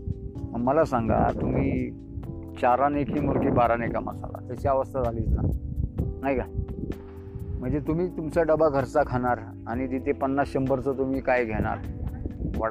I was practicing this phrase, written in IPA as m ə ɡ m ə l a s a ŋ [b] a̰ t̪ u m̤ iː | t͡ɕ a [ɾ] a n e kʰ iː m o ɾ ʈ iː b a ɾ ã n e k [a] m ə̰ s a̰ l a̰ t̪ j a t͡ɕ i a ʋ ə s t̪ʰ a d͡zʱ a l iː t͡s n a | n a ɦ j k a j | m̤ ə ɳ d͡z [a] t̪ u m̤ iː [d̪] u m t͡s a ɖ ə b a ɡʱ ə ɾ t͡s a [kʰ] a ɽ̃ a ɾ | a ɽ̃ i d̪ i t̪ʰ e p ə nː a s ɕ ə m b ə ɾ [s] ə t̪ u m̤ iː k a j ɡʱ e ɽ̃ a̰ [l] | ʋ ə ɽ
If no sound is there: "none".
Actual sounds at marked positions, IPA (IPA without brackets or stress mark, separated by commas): ɡ, ɾ, a, e, t̪, kʰ, t͡s, ɾ